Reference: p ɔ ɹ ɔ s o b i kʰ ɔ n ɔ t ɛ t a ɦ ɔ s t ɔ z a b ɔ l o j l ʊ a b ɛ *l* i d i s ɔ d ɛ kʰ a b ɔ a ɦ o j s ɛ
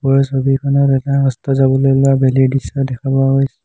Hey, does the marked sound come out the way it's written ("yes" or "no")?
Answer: yes